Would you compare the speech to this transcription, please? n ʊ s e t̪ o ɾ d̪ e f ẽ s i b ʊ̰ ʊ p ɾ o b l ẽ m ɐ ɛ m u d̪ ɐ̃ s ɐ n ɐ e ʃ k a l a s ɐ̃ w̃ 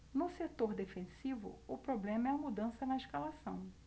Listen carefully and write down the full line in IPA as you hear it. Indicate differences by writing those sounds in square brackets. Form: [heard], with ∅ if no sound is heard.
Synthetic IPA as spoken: n ʊ s e t̪ o ɾ d̪ e f ẽ s i [v] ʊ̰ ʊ p ɾ o b l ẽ m ɐ ɛ m u d̪ ɐ̃ s ɐ n ɐ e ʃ k a l a s ɐ̃ w̃